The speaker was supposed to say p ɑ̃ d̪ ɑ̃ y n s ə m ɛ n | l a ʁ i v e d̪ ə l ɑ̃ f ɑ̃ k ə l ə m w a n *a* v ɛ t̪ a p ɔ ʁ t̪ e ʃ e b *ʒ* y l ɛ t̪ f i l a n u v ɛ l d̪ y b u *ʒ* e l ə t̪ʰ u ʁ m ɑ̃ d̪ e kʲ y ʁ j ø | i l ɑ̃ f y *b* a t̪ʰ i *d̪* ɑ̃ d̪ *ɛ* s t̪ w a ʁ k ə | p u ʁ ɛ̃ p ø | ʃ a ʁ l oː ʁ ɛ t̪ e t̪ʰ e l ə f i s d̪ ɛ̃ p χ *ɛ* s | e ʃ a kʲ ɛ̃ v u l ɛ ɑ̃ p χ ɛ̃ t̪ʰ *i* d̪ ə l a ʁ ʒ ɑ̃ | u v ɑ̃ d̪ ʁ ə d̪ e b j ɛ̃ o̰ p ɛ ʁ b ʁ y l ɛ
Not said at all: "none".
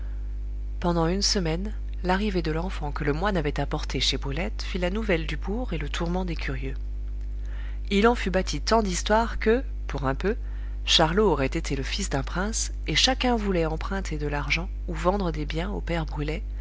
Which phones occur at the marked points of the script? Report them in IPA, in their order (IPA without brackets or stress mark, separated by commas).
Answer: a, ʁ, ʁ, b, t̪, i, ɛ̃, e